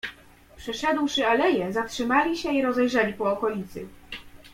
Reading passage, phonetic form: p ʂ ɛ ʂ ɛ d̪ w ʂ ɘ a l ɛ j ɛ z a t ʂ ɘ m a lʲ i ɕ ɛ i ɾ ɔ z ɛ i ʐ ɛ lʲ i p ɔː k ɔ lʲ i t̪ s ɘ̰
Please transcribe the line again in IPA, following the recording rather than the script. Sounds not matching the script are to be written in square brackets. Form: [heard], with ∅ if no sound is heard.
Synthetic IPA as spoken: p ʂ ɛ ʂ ɛ d̪ w ʂ ɘ a l ɛ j ɛ z a t ʂ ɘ m a lʲ i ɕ ɛ i ɾ ɔ z ɛ [j] ʐ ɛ lʲ i p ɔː k ɔ lʲ i t̪ s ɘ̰

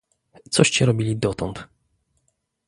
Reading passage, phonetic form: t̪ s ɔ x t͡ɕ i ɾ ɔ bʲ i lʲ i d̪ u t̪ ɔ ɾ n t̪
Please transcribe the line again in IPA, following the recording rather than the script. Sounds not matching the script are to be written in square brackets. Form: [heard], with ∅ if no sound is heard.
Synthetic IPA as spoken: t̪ s ɔ [ɕ] t͡ɕ [ɛ] ɾ ɔ bʲ i lʲ i d̪ [ɔ] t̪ ɔ [∅] n t̪

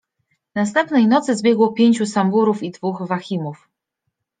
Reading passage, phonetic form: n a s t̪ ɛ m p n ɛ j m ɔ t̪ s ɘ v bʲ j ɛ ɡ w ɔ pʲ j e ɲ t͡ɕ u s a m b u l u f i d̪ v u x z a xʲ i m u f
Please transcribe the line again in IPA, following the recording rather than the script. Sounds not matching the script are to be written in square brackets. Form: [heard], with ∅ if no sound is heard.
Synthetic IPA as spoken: n a s t̪ ɛ m p n ɛ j [n] ɔ t̪ s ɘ [z] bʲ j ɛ ɡ w ɔ pʲ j e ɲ t͡ɕ u s a m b u [ɾ] u f i d̪ v u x [v] a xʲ i m u f

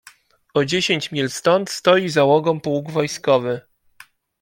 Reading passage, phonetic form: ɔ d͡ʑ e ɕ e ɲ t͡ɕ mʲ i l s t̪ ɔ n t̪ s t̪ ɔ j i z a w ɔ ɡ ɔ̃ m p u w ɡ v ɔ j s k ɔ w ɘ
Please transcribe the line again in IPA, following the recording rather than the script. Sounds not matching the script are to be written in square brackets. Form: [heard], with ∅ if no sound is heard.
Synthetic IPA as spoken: ɔ d͡ʑ e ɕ e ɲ t͡ɕ mʲ i l s t̪ ɔ n t̪ s t̪ ɔ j i z a w ɔ ɡ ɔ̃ m p u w ɡ v ɔ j s k ɔ [v] ɘ

